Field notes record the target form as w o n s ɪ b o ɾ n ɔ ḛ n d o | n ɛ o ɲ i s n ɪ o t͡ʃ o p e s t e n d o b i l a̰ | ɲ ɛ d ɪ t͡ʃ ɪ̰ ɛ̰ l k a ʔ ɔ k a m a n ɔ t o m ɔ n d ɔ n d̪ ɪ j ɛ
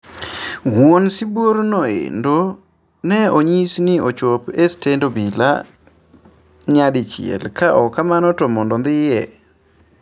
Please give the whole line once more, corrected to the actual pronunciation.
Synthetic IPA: w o n s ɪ b o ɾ n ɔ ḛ n d o | n ɛ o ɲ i s n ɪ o t͡ʃ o p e s t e n d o b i l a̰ | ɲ a d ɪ t͡ʃ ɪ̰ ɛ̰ l k a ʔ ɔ k a m a n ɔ t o m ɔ n d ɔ n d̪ ɪ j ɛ